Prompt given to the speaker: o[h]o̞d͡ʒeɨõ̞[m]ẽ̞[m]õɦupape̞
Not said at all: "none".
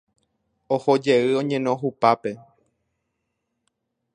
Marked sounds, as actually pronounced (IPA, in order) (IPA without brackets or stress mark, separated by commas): h, ɲ, n